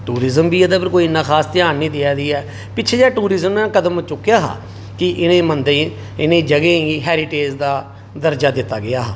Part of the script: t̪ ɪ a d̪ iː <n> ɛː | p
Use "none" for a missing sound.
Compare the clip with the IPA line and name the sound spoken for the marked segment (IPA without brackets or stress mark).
none